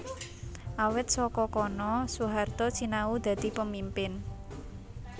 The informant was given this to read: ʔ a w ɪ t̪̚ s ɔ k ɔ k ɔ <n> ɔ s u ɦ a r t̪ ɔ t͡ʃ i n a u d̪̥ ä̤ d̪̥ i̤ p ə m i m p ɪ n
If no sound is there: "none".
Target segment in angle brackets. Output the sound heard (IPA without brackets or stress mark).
n